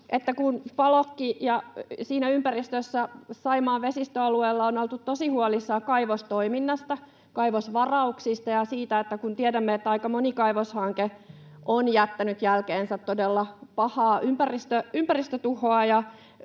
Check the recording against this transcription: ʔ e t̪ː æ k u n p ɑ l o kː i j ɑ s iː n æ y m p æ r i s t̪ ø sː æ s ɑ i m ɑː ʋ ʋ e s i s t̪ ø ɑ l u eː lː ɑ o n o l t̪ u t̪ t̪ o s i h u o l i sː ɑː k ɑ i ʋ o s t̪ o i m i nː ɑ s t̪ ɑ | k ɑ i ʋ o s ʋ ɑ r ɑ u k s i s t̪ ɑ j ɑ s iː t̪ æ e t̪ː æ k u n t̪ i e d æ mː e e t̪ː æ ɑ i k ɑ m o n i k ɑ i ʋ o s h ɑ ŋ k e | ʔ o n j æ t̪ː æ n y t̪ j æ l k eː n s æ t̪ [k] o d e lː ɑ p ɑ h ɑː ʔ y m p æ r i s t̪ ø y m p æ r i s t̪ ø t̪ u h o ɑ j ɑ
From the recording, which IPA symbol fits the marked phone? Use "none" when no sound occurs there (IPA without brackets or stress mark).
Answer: t